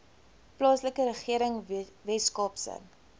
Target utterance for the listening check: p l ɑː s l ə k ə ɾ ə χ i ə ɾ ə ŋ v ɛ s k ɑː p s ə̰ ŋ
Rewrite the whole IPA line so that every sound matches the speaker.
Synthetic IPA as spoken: p l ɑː s l ə k ə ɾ ə χ i ə ɾ ə ŋ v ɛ s k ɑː p s ə̰ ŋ